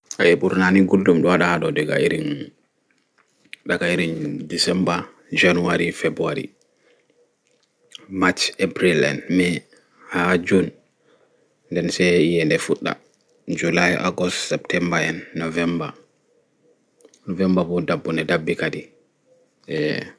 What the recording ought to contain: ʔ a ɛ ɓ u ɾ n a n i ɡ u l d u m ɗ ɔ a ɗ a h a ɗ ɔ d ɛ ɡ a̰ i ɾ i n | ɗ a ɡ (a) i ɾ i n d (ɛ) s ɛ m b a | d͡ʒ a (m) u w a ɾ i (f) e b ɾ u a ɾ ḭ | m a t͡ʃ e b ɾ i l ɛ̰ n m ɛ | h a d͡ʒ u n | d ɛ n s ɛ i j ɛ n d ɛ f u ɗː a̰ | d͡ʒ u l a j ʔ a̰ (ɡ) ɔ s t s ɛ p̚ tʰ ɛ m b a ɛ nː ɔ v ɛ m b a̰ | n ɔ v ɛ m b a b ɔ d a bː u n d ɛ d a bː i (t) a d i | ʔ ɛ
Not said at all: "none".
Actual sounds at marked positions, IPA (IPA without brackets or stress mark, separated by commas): a, i, n, f, ɡ, k